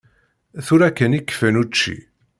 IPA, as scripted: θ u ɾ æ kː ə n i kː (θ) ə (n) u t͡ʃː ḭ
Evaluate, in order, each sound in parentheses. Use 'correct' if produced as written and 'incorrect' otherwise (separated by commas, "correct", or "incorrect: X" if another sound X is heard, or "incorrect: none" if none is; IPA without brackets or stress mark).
incorrect: f, correct